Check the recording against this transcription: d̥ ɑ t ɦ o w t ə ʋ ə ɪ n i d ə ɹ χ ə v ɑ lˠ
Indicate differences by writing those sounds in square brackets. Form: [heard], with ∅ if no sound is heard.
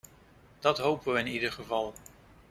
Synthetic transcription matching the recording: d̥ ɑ t ɦ o w [p] ə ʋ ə ɪ n i d ə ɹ χ ə v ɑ lˠ

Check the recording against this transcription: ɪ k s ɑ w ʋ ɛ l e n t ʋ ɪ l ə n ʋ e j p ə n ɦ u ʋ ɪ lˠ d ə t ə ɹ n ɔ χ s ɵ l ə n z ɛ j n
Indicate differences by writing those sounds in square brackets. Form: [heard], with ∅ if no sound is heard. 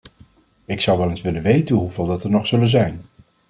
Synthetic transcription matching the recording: ɪ k s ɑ w ʋ ɛ l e n [s] ʋ ɪ l ə n ʋ e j [t] ə n ɦ u [v] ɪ lˠ d [ɑ] t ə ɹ n ɔ χ s ɵ l ə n z ɛ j n

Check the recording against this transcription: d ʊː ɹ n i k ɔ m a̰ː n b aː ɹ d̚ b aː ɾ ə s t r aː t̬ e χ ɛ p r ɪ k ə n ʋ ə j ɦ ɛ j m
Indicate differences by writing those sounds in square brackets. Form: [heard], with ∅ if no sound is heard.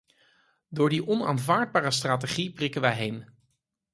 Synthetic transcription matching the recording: d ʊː ɹ [d] i [ʔ] ɔ [n] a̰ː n [v] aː ɹ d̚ b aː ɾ ə s t r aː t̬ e χ [i] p r ɪ k ə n ʋ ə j ɦ [e] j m

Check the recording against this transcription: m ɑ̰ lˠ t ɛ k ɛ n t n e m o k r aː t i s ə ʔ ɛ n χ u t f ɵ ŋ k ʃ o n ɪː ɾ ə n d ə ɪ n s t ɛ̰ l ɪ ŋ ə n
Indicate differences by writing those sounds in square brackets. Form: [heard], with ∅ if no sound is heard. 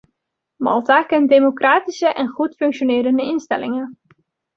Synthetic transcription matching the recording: m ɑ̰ lˠ t [a] k ɛ n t [d] e m o k r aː t i s ə ʔ ɛ n χ u t f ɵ ŋ k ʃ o n ɪː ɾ ə n d ə ɪ n s t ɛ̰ l ɪ ŋ ə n

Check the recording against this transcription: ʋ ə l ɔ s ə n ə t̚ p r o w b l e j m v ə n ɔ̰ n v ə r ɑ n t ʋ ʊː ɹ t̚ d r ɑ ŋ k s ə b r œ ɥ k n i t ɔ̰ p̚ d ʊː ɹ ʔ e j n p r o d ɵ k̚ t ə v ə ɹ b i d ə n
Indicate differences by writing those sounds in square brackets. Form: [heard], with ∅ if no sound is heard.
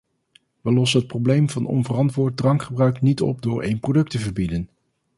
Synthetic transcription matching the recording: ʋ ə l ɔ s ə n ə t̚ p r o w b l e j m v [ɑ] n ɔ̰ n v ə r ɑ n t ʋ ʊː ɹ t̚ d r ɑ ŋ k [χ] ə b r œ ɥ k n i t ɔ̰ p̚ d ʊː ɹ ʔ e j n p r o d ɵ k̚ t ə v ə ɹ b i d ə n

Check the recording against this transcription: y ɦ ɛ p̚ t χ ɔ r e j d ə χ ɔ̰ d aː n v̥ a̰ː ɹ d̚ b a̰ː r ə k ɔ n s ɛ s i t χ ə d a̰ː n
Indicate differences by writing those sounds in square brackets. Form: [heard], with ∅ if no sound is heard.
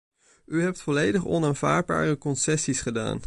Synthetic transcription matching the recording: y ɦ ɛ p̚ t [f] ɔ [l] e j d ə χ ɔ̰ [n] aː n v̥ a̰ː ɹ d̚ b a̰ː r ə k ɔ n s ɛ s i [s] χ ə d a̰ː n

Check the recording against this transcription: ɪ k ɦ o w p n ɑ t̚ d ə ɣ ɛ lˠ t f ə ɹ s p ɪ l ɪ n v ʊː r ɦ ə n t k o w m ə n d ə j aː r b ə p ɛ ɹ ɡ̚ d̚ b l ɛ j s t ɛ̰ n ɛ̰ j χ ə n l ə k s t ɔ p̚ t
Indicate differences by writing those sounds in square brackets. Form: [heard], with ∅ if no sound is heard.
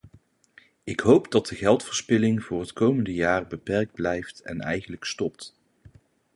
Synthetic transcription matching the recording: ɪ k ɦ o w p [d] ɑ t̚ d ə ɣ ɛ lˠ t f ə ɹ s p ɪ l ɪ [ŋ] v ʊː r ɦ ə [∅] t k o w m ə n d ə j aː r b ə p ɛ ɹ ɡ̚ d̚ b l ɛ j [f] t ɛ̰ n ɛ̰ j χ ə n l ə k s t ɔ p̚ t

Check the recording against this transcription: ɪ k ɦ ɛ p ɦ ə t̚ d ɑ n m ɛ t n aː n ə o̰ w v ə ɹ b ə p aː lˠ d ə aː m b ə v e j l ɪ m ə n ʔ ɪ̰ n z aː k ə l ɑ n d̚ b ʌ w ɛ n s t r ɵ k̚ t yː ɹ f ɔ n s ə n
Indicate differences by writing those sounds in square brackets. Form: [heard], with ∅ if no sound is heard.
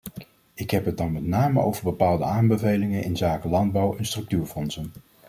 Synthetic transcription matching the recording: ɪ k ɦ ɛ p ɦ ə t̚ d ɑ n m ɛ t n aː [m] ə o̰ w v ə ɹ b ə p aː lˠ d ə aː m b ə v e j l ɪ [ŋ] ə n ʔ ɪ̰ n z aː k ə l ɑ n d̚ b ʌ w ɛ n s t r ɵ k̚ t yː ɹ f ɔ n s ə n

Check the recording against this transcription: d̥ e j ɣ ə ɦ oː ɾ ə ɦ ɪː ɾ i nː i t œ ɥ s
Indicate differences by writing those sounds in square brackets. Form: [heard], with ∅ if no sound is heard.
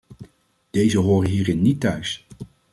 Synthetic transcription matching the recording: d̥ e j [z] ə ɦ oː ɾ ə ɦ [iː] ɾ [ɪ] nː i t œ ɥ s

